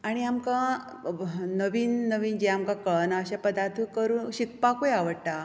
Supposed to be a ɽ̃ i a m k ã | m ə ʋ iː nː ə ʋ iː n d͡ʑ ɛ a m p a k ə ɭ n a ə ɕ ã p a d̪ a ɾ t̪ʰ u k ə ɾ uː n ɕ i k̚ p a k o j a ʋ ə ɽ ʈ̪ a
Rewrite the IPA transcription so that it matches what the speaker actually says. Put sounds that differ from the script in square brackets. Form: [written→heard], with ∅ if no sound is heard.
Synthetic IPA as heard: a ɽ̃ i a m k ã | [m→n] ə ʋ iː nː ə ʋ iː n d͡ʑ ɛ a m [p→k] a k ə ɭ n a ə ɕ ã p [a→ə] d̪ a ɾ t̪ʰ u k ə ɾ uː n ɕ i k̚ p a k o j a ʋ ə ɽ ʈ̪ a